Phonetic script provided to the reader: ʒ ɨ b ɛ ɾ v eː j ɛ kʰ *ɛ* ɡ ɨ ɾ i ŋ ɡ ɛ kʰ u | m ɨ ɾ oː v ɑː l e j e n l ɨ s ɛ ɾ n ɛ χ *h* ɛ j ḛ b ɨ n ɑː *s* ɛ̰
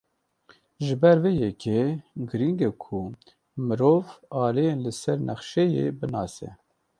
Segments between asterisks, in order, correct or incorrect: incorrect: e, incorrect: ʃ, correct

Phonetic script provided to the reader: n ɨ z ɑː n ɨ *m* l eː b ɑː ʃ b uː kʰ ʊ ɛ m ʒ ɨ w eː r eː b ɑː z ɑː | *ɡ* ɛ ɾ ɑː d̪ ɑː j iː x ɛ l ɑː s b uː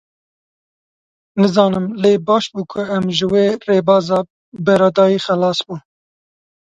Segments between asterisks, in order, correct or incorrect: correct, incorrect: b

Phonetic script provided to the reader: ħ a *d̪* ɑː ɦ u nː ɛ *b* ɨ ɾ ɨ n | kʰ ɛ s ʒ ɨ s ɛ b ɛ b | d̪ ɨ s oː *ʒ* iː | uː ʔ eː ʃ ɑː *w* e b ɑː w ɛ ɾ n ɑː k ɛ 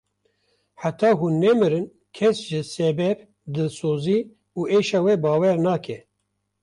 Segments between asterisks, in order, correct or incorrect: incorrect: t̪, incorrect: m, incorrect: z, correct

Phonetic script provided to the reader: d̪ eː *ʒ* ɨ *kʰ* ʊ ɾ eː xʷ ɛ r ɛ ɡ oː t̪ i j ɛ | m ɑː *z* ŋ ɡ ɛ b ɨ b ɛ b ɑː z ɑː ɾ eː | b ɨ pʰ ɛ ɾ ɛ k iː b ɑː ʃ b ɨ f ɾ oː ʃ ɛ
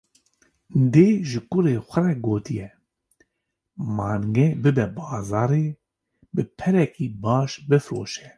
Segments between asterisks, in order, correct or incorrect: correct, incorrect: k, incorrect: none

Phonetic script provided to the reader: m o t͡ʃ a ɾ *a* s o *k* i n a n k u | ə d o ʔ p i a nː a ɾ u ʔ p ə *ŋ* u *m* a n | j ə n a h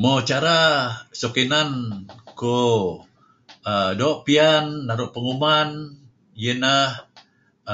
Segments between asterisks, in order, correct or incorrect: correct, correct, correct, correct

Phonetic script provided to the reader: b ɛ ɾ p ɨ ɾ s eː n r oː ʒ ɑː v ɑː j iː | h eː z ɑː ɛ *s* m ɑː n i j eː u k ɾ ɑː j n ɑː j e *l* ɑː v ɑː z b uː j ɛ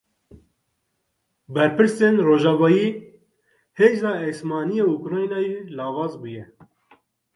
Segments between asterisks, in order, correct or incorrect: correct, correct

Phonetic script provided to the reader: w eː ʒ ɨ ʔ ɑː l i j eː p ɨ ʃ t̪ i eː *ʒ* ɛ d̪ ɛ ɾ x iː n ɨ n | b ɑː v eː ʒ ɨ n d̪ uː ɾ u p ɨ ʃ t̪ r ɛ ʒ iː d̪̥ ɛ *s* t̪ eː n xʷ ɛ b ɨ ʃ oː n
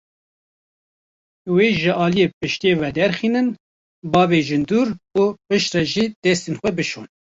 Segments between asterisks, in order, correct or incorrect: incorrect: v, correct

